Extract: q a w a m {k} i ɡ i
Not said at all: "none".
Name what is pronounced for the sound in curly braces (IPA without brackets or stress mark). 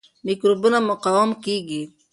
k